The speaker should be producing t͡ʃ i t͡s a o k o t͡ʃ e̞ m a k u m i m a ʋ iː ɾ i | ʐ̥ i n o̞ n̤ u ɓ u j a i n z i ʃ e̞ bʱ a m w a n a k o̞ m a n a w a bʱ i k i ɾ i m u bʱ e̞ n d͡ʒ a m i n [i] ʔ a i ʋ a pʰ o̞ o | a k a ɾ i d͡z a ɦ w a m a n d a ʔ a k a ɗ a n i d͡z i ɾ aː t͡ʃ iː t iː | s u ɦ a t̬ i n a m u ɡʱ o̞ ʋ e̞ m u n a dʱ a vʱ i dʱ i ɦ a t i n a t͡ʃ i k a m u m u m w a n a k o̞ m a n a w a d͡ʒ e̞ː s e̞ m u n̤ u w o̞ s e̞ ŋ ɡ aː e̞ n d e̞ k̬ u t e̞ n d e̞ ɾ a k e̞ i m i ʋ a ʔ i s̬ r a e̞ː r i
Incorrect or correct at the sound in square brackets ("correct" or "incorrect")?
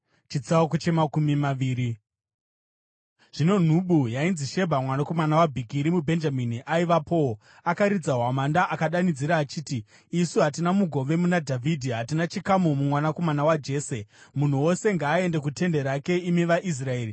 correct